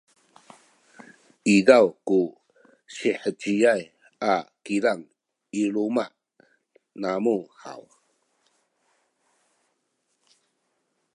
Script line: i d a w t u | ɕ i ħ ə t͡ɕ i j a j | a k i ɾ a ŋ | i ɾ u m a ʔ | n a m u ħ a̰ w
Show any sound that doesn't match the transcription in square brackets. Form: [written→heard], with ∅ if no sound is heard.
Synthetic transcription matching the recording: i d a w [t→k] u | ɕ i ħ ə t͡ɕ i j a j | a k i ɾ a ŋ | i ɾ u m a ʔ | n a m u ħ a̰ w